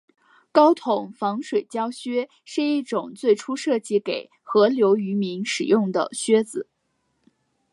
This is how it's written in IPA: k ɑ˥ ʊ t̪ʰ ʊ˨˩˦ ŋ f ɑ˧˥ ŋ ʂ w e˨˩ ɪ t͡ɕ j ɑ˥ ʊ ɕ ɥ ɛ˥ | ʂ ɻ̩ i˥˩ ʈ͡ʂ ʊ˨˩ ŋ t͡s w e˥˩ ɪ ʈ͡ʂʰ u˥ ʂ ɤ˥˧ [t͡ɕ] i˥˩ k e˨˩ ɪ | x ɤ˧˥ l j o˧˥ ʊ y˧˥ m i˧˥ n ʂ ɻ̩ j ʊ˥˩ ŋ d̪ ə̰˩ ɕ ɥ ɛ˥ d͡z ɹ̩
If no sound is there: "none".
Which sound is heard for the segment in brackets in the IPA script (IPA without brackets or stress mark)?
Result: t͡ɕ